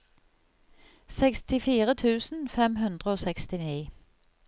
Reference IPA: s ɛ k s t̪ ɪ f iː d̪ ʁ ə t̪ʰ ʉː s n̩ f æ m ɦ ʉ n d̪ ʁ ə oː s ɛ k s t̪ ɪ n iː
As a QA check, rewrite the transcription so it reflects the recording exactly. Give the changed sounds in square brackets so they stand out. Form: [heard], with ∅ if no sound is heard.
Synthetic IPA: s ɛ k s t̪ ɪ f iː [∅] ʁ ə t̪ʰ ʉː s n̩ f [ɛ] m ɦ ʉ n d̪ ʁ ə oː s ɛ k s t̪ ɪ n iː